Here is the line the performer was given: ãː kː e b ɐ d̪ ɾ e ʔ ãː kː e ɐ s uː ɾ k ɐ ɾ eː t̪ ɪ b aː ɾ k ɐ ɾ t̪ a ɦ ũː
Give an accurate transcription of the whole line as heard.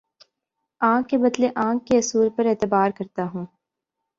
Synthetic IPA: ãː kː e b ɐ d̪ l e ʔ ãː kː e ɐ s uː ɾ p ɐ ɾ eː t̪ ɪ b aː ɾ k ɐ ɾ t̪ a ɦ ũː